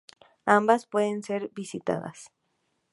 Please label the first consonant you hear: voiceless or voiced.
voiced